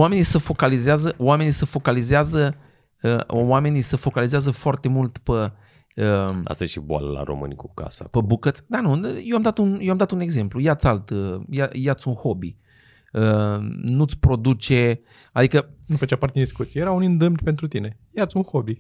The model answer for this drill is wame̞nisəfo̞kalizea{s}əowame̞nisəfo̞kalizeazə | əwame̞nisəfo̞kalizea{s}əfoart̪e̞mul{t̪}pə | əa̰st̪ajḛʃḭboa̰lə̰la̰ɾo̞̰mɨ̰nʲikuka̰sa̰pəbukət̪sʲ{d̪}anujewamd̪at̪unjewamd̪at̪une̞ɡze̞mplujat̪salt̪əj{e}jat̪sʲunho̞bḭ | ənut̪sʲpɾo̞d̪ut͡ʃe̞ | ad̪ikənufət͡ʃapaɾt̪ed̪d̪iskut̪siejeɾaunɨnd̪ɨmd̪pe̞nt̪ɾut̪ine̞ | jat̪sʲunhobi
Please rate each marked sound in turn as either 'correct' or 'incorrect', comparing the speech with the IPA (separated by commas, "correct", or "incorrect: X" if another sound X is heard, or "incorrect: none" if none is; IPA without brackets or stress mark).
incorrect: z, incorrect: z, correct, correct, incorrect: a